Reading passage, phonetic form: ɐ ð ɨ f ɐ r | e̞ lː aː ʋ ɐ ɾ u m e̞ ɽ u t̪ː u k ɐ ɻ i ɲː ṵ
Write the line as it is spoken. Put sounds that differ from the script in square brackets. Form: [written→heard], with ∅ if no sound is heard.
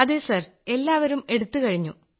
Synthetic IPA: ɐ ð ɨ [f→s] ɐ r | e̞ lː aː ʋ ɐ ɾ u m e̞ ɽ u t̪ː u k ɐ ɻ i ɲː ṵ